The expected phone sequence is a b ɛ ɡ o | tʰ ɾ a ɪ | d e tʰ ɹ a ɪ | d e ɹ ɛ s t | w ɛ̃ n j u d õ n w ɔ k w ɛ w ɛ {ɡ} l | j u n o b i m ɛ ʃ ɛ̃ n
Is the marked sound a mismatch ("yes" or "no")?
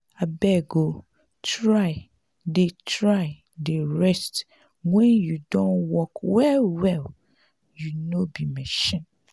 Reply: yes